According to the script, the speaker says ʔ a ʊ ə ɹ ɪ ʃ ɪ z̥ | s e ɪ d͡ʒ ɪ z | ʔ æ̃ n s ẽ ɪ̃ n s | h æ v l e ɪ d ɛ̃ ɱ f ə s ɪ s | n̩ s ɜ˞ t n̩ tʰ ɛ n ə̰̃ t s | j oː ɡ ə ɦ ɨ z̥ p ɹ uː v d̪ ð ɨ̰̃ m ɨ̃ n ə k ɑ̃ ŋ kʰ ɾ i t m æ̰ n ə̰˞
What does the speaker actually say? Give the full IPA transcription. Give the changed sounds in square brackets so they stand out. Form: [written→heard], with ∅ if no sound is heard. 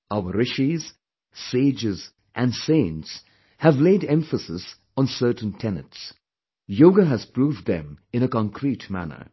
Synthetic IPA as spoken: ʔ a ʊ ə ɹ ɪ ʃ [ɪ→i] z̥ | s e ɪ d͡ʒ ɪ z | ʔ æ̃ n s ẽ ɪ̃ n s | h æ v l e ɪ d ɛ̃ ɱ f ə s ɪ s | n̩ s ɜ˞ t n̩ tʰ ɛ n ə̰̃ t s | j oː ɡ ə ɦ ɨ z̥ p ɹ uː v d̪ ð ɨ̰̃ m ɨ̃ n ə k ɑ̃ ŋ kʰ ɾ i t m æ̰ n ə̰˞